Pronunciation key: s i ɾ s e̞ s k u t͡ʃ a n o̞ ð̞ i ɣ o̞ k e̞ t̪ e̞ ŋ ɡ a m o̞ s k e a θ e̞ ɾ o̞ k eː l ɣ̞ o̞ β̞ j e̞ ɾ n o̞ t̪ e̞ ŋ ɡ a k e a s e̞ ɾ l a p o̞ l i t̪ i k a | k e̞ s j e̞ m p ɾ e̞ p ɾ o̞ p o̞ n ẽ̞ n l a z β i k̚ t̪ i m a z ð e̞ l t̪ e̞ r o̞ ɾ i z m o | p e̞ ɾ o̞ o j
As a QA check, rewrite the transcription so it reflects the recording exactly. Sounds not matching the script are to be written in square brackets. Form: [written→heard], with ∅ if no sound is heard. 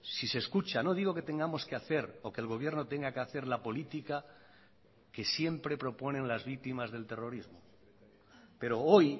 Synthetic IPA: s i [ɾ→∅] s e̞ s k u t͡ʃ a n o̞ ð̞ i ɣ o̞ k e̞ t̪ e̞ ŋ ɡ a m o̞ s k e a θ e̞ ɾ o̞ k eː l ɣ̞ o̞ β̞ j e̞ ɾ n o̞ t̪ e̞ ŋ ɡ a k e a [s→θ] e̞ ɾ l a p o̞ l i t̪ i k a | k e̞ s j e̞ m p ɾ e̞ p ɾ o̞ p o̞ n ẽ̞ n l a z β i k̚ t̪ i m a z ð e̞ l t̪ e̞ r o̞ ɾ i z m o | p e̞ ɾ o̞ o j